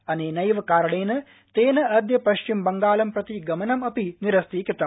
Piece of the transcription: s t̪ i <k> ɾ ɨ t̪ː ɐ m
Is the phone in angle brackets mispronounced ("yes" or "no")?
no